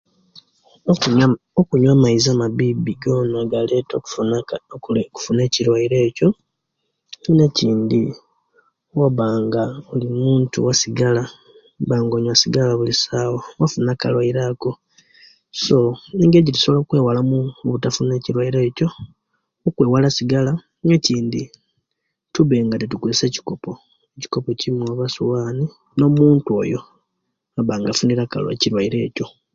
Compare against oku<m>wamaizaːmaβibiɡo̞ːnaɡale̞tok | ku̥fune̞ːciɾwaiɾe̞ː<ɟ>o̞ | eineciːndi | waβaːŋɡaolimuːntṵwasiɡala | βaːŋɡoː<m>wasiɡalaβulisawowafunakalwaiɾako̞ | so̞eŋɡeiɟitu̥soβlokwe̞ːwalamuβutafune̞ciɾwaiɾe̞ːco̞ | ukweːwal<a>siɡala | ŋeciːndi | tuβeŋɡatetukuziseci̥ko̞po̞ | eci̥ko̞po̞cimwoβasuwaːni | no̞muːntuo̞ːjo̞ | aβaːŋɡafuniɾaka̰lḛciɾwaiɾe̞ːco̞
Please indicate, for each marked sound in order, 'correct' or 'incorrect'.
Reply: incorrect, incorrect, incorrect, correct

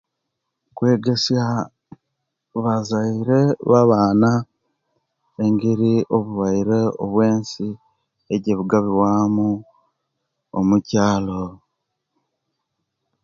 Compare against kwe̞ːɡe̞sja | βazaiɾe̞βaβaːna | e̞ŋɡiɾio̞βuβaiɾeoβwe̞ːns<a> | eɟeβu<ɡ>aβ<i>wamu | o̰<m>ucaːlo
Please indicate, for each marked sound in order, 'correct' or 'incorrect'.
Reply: incorrect, correct, correct, correct

